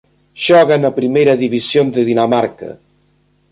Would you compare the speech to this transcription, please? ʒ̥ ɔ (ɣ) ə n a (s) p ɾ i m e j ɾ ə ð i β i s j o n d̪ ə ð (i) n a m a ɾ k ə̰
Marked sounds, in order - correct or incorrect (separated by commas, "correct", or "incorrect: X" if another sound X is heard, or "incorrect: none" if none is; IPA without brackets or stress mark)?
correct, incorrect: none, correct